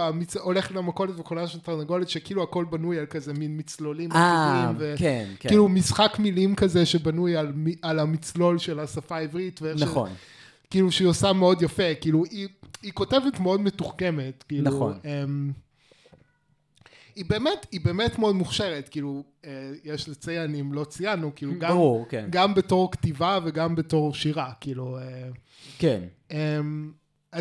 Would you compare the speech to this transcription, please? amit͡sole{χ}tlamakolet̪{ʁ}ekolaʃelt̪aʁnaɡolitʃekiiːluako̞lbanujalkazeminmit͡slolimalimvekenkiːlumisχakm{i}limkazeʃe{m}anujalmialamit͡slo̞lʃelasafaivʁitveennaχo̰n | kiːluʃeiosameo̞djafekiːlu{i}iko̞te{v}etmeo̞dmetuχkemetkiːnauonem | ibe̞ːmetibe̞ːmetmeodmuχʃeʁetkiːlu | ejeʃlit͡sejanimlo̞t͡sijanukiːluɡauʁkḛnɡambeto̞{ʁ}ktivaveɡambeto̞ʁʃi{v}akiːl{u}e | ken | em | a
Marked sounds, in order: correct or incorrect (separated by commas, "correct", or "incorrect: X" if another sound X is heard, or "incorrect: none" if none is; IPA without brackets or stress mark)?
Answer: correct, incorrect: v, correct, incorrect: b, correct, correct, correct, incorrect: ʁ, correct